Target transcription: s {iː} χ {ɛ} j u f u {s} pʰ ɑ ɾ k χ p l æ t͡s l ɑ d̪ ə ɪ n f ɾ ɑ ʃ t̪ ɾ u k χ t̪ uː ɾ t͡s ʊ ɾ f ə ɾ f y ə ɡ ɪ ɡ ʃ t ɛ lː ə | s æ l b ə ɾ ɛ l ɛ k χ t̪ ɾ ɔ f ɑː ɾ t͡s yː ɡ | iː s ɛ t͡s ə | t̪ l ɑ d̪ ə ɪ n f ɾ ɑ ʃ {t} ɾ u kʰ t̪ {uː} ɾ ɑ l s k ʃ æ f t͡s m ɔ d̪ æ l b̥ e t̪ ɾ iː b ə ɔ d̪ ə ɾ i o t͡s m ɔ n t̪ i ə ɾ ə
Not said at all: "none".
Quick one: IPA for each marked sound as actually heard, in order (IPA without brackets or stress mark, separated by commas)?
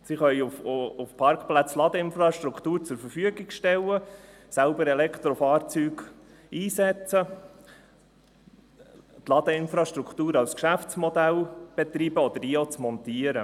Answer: i, œ, f, t, uː